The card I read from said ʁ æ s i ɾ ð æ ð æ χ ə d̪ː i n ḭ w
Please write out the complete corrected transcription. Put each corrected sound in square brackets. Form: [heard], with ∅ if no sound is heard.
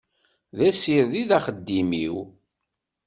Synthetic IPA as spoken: [ð] æ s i ɾ ð [i] ð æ χ ə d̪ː i [m] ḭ w